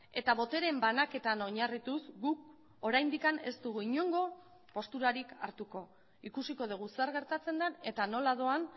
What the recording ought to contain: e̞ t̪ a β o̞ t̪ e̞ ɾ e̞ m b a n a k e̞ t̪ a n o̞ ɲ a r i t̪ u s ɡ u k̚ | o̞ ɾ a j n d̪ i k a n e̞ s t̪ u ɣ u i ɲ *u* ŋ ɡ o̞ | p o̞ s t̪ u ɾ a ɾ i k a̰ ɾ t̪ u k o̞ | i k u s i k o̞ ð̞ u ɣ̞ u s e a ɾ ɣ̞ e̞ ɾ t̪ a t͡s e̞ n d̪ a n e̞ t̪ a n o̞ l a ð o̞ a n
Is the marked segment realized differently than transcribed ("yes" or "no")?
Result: yes